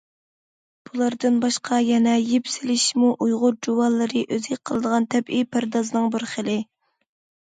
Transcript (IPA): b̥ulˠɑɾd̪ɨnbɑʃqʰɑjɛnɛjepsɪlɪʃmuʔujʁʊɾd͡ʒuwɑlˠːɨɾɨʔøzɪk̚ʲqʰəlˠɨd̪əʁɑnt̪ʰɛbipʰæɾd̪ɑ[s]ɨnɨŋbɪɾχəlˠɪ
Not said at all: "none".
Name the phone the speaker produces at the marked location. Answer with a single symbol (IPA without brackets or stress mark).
z